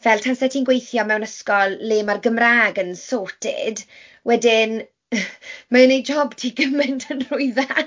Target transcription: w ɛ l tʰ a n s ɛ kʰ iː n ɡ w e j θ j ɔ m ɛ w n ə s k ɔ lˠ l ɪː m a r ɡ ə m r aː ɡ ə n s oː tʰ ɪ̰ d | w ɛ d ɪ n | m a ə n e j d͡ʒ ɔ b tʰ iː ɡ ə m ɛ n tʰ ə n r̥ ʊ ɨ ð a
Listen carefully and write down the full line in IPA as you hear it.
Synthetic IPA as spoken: v ɛ l tʰ a n s ɛ tʰ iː n ɡ w e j θ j ɔ m ɛ w n ə s k ɔ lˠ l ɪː m a r ɡ ə m r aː ɡ ə n s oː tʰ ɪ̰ d | w ɛ d ɪ n | m a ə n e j d͡ʒ ɔ b tʰ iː ɡ ə m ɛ n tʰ ə n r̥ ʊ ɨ ð a